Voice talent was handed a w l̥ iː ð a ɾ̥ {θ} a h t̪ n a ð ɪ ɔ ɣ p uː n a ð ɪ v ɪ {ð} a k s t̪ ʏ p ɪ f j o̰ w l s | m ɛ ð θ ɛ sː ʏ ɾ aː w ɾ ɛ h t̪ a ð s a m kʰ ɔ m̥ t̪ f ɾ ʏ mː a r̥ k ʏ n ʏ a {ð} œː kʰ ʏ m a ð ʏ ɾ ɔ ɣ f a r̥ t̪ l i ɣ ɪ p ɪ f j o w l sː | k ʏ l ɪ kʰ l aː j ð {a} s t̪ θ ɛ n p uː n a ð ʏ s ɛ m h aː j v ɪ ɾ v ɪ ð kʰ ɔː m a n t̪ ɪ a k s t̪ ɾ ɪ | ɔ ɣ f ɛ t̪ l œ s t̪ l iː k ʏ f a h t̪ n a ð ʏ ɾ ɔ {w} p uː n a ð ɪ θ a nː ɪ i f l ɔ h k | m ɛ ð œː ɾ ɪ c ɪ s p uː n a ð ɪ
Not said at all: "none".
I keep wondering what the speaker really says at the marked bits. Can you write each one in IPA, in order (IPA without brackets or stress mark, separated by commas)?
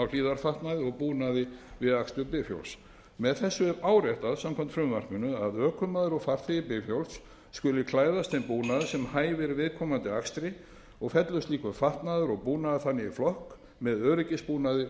f, ð, ð, a, ɣ